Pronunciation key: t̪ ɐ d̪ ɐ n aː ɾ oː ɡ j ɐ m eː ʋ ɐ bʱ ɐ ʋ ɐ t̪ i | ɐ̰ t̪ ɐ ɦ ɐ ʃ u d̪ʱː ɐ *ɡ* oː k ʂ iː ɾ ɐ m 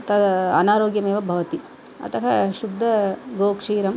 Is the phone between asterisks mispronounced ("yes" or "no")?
no